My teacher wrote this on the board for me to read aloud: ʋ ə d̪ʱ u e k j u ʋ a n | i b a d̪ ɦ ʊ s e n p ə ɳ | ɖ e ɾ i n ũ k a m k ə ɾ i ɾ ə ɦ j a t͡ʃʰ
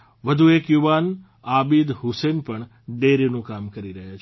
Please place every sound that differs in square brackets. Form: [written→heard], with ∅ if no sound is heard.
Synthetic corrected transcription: ʋ ə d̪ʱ u e k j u ʋ a n | [i→a] b [a→i] d̪ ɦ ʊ s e n p ə ɳ | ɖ e ɾ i n ũ k a m k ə ɾ i ɾ ə ɦ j a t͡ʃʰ